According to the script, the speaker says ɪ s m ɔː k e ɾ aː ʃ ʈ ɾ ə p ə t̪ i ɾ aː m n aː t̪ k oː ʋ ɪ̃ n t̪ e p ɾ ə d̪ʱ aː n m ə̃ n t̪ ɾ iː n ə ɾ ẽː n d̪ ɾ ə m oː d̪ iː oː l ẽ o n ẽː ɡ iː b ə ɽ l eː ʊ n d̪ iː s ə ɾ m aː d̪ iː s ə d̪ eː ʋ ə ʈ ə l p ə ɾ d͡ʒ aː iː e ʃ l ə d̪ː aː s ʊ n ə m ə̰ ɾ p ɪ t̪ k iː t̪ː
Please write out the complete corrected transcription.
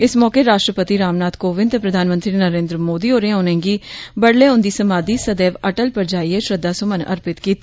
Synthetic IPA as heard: ɪ s m ɔː k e ɾ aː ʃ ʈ ɾ ə p ə t̪ i ɾ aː m n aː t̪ k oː ʋ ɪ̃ n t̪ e p ɾ ə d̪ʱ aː n m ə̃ n t̪ ɾ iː n ə ɾ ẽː n d̪ ɾ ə m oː d̪ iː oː ɾ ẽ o n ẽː ɡ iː b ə ɽ l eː ʊ n d̪ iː s ə m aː d̪ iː s ə d̪ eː ʋ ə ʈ ə l p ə ɾ d͡ʒ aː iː e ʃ ɾ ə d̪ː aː s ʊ m ə n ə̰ ɾ p ɪ t̪ k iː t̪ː

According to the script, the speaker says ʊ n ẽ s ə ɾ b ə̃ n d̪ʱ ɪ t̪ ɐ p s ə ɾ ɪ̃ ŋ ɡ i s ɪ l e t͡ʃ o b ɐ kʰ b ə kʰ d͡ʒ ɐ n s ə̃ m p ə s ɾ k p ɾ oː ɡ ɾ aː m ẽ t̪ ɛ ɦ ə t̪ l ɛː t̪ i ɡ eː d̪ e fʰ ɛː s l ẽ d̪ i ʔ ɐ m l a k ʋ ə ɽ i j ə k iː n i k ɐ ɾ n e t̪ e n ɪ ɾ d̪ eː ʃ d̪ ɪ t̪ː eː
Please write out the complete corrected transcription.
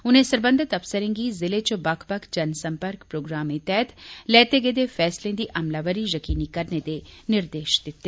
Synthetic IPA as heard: ʊ n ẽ s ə ɾ b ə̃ n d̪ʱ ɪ t̪ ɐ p s ə ɾ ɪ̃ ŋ ɡ i z ɪ l e t͡ʃ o b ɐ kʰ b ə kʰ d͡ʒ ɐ n s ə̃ m p ə ɾ k p ɾ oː ɡ ɾ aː m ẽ t̪ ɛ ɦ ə t̪ l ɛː t̪ e ɡ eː d̪ e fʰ ɛː s l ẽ d̪ i ʔ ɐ m l a ʋ ə ɾ i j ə k iː n i k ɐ ɾ n e d̪ e n ɪ ɾ d̪ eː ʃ d̪ ɪ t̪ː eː

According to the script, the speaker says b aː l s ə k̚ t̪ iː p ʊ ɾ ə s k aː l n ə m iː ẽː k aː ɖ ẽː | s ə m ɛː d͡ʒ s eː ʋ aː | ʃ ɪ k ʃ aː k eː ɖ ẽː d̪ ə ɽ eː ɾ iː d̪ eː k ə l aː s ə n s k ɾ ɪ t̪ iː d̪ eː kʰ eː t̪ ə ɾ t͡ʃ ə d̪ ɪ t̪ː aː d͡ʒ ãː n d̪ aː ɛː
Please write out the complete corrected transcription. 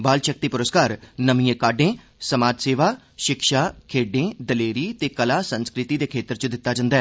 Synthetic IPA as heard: b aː l ʃ ə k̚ t̪ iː p ʊ ɾ ə s k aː ɾ n ə m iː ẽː k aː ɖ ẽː | s ə m aː d͡ʒ s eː ʋ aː | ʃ ɪ k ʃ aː kʰ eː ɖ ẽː d̪ ə l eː ɾ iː t̪ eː k ə l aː s ə n s k ɾ ɪ t̪ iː d̪ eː kʰ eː t̪ ə ɾ t͡ʃ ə d̪ ɪ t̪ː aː d͡ʒ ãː n d̪ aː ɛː

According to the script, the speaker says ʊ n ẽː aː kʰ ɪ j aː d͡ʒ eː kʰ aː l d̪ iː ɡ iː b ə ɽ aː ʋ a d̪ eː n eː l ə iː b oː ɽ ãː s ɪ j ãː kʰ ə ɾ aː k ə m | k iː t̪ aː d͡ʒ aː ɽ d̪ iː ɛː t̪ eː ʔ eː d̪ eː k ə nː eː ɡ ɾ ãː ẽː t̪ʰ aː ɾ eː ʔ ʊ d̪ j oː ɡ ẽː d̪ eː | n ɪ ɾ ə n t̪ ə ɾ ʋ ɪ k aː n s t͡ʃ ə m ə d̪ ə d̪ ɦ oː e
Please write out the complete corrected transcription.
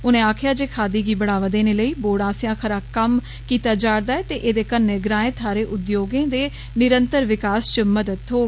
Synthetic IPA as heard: ʊ n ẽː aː kʰ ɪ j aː d͡ʒ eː kʰ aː d̪ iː ɡ iː b ə ɽ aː ʋ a d̪ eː n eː l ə iː b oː ɽ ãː s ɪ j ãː kʰ ə ɾ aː k ə m | k iː t̪ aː d͡ʒ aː ɽ d̪ aː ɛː t̪ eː ʔ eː d̪ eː k ə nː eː ɡ ɾ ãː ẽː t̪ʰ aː ɾ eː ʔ ʊ d̪ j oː ɡ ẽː d̪ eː | n ɪ ɾ ə n t̪ ə ɾ ʋ ɪ k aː s t͡ʃ ə m ə d̪ ə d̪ ɦ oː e

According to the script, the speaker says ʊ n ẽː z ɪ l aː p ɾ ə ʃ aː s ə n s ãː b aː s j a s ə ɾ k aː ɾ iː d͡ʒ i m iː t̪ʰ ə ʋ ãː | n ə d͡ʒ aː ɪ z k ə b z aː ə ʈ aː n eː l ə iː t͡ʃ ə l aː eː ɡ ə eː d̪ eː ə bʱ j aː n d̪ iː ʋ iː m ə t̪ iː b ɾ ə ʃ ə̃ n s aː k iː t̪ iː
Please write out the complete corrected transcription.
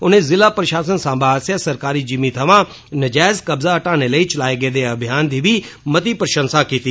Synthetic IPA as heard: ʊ n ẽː z ɪ l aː p ɾ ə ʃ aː s ə n s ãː b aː s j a s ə ɾ k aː ɾ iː d͡ʒ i m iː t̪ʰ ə ʋ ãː | n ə d͡ʒ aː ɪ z k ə b z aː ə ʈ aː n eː l ə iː t͡ʃ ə l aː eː ɡ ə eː d̪ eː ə bʱ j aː n d̪ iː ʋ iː m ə t̪ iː p ɾ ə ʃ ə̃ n s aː k iː t̪ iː

